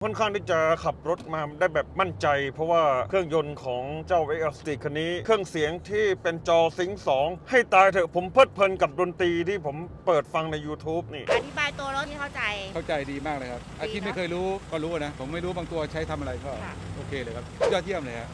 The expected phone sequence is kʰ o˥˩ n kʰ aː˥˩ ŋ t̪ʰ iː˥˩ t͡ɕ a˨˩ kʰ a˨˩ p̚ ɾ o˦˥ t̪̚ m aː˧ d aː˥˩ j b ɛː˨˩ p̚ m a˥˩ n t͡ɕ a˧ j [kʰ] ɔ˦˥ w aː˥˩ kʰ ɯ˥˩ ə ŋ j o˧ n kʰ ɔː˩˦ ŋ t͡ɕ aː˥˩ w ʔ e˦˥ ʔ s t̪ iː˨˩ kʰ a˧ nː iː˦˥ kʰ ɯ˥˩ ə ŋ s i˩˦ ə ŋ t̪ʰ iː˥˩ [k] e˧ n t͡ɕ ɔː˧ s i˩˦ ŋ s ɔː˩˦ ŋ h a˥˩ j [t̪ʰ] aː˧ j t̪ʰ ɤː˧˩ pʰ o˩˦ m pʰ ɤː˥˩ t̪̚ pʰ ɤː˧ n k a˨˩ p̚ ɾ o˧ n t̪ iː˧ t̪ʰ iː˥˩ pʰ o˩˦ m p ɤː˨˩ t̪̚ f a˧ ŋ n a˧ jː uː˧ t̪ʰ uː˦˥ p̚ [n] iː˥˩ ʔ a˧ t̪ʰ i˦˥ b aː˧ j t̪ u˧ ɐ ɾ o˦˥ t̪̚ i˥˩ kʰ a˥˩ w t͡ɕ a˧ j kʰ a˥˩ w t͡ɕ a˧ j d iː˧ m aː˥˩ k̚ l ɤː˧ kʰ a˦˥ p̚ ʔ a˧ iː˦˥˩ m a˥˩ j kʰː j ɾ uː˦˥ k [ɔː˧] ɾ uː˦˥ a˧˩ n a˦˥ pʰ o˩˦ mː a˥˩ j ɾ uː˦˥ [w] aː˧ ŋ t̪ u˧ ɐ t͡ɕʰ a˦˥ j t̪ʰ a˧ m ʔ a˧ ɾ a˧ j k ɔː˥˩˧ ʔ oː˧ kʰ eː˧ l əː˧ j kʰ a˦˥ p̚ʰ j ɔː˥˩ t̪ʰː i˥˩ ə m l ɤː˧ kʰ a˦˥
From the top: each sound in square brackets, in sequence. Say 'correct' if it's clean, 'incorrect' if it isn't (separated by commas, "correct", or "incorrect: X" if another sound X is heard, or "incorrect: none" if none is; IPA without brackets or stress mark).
incorrect: pʰ, incorrect: p, incorrect: t̪, correct, incorrect: ɔː˥˩, incorrect: b